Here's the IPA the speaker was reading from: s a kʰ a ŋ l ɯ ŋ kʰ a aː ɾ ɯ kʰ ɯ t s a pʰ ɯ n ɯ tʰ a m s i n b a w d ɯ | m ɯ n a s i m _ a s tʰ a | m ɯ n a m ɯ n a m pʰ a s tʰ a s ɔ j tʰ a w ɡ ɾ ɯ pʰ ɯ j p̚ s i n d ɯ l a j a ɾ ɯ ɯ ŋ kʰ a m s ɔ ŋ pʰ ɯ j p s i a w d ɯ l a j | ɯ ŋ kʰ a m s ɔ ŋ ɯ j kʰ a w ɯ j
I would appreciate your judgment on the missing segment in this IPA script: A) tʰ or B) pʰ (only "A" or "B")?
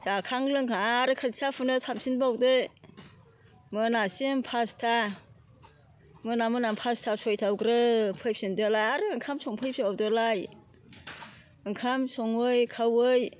B